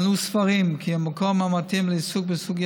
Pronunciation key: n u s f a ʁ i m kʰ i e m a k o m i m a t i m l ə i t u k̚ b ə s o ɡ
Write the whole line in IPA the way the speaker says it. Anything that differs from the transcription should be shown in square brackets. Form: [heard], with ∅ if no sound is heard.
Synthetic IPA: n u s f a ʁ i m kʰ i [a] m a k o m [a] m a t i m l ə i [s] u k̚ b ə s [u] ɡ